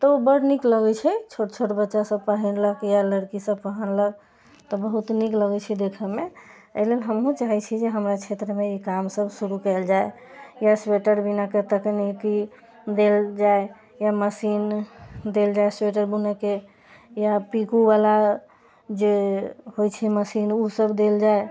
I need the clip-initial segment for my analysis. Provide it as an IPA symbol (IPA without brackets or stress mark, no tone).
t̪